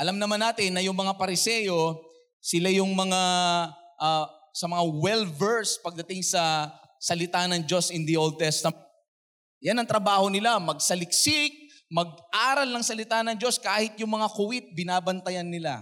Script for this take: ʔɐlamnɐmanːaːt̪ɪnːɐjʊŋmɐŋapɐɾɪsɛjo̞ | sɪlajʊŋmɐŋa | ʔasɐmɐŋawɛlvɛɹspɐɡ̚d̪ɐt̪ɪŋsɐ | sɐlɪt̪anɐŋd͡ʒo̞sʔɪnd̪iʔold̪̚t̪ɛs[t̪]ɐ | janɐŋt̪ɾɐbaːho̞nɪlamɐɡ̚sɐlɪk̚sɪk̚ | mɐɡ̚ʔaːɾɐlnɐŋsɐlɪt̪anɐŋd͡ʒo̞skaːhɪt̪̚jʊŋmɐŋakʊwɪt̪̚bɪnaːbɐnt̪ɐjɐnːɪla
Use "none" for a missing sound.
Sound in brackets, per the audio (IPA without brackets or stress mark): t̪